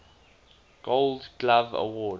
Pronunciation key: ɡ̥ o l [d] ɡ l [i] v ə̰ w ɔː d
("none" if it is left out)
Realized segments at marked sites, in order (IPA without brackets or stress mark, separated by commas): d, a